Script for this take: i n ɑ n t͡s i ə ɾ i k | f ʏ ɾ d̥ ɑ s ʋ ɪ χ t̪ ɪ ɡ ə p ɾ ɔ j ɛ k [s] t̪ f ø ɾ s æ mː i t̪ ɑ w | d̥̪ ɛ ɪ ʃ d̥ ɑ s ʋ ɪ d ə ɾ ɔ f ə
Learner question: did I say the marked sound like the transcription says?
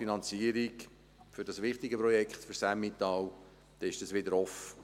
no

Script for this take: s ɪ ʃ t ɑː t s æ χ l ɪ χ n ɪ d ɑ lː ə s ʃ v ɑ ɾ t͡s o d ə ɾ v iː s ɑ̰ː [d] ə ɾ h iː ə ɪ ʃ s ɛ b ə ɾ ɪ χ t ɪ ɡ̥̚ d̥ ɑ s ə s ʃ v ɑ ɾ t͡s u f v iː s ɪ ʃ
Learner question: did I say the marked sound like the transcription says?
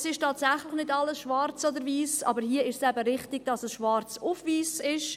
no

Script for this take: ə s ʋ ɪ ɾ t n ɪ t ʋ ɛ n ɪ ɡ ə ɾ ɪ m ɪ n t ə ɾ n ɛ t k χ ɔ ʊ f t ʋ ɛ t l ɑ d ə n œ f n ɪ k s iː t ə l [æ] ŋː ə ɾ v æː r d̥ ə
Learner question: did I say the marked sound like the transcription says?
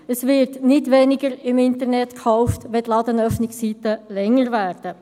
no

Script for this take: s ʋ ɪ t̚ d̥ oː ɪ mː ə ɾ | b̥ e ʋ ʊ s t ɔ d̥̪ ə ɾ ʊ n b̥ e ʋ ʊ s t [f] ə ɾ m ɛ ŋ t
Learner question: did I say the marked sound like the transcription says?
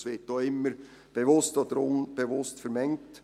yes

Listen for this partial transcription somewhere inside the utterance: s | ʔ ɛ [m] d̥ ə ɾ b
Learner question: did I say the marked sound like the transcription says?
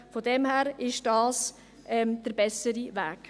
yes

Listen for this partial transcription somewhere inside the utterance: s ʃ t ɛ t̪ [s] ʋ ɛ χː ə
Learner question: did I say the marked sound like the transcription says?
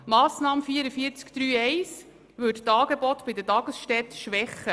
no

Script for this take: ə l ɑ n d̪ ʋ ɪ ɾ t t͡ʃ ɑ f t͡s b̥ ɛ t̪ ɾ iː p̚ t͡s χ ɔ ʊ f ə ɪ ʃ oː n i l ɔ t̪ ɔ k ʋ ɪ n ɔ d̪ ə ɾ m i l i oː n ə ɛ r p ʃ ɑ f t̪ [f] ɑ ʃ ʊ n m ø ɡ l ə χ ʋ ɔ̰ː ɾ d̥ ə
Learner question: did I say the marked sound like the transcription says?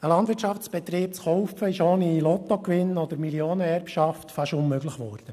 yes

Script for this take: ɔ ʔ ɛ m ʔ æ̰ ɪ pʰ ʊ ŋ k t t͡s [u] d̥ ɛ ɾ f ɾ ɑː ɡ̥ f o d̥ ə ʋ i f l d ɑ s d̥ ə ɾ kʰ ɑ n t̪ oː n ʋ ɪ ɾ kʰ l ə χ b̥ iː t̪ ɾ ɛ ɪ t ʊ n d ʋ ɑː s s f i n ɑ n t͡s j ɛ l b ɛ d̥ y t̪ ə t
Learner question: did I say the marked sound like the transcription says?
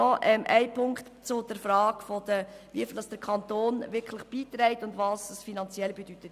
no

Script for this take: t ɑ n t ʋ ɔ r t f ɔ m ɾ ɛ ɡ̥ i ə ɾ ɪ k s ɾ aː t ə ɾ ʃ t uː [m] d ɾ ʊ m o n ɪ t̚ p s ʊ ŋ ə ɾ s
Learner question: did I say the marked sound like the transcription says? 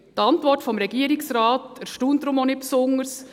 no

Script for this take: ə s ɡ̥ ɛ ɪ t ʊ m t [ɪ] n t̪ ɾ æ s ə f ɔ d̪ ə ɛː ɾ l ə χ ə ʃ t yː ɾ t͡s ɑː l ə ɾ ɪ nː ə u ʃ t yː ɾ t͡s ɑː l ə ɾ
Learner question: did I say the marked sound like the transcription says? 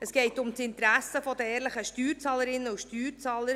yes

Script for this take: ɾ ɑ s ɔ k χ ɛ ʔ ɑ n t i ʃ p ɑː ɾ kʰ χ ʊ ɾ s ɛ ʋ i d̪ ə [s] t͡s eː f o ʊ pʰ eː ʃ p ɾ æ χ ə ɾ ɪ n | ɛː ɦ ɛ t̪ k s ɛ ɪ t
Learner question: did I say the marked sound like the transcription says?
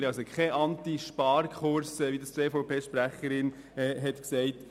yes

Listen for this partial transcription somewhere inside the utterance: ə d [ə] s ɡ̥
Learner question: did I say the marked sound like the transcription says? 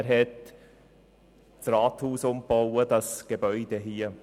no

